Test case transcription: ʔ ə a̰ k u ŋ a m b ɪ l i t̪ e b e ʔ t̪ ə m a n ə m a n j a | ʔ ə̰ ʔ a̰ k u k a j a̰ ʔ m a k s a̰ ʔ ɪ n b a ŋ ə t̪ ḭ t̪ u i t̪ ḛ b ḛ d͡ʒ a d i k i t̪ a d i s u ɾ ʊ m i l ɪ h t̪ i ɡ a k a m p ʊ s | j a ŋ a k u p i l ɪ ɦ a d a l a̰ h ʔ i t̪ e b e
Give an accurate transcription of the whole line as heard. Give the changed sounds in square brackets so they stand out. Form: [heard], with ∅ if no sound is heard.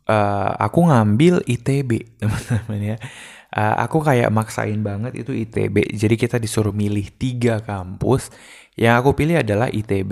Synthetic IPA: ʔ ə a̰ k u ŋ a m b ɪ l i t̪ e b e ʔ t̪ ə m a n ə m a n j a | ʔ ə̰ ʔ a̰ k u k a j a̰ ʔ m a k s a̰ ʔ ɪ n b a ŋ ə t̪ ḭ t̪ u i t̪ ḛ b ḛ d͡ʒ a d i k i t̪ a d i s u ɾ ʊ m i l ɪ h t̪ i ɡ a k a m p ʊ s | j a ŋ a k u p i l ɪ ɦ a d a l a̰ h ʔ i t̪ e b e